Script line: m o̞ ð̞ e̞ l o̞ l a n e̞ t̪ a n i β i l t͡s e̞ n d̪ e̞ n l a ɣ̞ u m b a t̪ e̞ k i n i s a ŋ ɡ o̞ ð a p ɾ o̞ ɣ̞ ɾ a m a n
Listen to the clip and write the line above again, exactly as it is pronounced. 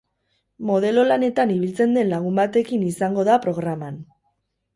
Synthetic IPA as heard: m o̞ ð̞ e̞ l o̞ l a n e̞ t̪ a n i β i l t͡s e̞ n d̪ e̞ n l a ɣ̞ u m b a t̪ e̞ k i n i s a ŋ ɡ o̞ ð a p ɾ o̞ ɣ̞ ɾ a m a n